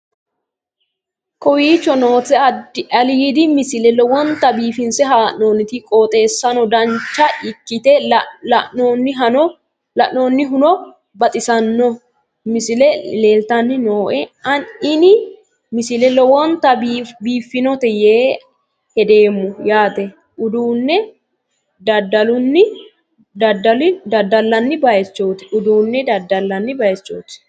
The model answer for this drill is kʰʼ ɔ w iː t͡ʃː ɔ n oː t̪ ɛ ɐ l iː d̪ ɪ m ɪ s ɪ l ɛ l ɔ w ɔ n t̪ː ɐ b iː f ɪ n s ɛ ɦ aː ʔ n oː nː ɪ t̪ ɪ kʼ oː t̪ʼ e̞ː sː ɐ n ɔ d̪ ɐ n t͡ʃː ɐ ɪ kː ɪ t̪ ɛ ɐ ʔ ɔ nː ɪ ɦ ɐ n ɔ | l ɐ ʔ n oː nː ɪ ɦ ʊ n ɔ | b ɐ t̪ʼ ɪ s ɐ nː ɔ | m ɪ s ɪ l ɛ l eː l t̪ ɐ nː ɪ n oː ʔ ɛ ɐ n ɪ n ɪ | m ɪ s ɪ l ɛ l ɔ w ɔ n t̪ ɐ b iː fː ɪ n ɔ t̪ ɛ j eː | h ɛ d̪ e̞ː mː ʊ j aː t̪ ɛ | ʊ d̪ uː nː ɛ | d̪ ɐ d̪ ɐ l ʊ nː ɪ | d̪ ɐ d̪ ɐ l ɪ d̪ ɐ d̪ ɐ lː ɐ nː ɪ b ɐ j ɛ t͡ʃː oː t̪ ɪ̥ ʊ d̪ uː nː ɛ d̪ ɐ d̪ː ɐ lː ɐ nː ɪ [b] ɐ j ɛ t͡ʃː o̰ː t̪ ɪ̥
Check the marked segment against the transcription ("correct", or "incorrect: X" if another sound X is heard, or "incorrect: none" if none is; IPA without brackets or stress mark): correct